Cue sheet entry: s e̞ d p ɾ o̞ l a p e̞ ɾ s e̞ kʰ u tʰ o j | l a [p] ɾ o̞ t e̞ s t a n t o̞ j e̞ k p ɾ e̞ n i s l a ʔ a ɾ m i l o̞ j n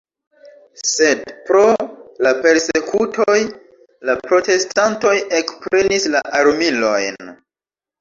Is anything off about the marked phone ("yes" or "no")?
no